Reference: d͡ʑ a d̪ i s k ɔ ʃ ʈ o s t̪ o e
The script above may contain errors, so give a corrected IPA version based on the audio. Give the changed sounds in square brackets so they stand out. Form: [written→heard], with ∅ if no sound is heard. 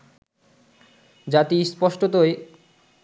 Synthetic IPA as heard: d͡ʑ a [d̪→t̪] i s [k→p] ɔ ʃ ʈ o [s→∅] t̪ o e